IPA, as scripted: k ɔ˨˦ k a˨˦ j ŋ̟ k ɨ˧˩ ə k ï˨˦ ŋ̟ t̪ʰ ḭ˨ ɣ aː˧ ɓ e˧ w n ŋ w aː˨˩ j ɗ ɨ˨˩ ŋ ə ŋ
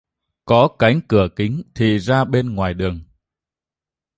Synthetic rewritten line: k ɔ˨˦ k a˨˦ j ŋ̟ k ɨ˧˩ ə k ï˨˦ ŋ̟ t̪ʰ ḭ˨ z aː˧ ɓ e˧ n ŋ w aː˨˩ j ɗ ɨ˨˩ ə ŋ